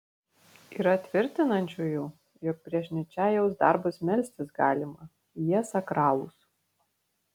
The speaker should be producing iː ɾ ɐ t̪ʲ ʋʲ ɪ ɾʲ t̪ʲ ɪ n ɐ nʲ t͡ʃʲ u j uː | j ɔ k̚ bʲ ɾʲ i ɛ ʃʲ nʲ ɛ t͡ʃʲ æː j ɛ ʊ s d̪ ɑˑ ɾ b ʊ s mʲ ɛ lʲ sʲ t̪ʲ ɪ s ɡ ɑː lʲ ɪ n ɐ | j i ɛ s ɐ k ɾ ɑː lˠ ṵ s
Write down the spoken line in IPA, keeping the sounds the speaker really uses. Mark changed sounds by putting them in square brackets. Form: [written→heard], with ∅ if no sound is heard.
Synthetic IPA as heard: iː ɾ ɐ t̪ʲ ʋʲ ɪ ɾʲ t̪ʲ ɪ n ɐ nʲ t͡ʃʲ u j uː | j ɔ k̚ [bʲ→pʲ] ɾʲ i ɛ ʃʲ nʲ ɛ t͡ʃʲ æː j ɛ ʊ s d̪ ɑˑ ɾ b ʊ s mʲ ɛ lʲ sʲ t̪ʲ ɪ s ɡ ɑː lʲ ɪ [n→m] ɐ | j i ɛ s ɐ k ɾ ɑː lˠ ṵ s